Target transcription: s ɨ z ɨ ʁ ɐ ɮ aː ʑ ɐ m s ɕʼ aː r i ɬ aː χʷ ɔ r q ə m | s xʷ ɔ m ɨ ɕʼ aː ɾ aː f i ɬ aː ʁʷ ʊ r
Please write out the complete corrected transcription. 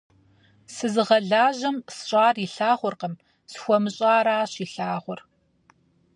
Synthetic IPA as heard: s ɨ z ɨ ʁ ɐ ɮ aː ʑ ɐ m s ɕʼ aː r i ɬ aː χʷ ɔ r q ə m | s xʷ ɔ m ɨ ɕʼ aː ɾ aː ɕ i ɬ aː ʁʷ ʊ r